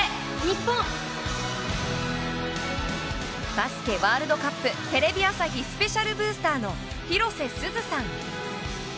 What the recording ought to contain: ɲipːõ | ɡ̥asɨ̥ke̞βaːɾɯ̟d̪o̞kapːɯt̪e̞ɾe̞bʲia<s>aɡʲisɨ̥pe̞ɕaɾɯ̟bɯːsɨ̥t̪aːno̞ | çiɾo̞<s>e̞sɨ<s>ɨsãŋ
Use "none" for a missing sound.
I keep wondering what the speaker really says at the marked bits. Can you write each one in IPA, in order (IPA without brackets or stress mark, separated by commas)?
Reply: s, s, z